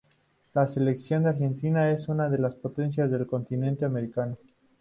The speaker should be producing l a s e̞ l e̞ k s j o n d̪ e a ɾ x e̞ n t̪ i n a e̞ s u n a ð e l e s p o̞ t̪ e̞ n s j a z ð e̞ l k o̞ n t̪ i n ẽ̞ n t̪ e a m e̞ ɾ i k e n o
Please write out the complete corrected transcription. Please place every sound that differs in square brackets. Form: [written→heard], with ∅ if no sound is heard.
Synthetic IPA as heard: l a s e̞ l e̞ k s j o n d̪ e a ɾ x e̞ n t̪ i n a e̞ s u n a ð e l [e→a] s p o̞ t̪ e̞ n s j a z ð e̞ l k o̞ n t̪ i n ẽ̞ n t̪ e a m e̞ ɾ i k [e→a] n o